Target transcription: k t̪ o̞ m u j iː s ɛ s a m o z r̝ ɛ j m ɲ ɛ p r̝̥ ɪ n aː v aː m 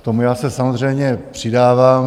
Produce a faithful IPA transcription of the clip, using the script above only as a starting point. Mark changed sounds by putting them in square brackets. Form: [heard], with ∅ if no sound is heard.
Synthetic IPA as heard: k t̪ o̞ m u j [aː] s ɛ s a m o z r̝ ɛ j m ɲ ɛ p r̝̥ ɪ [d] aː v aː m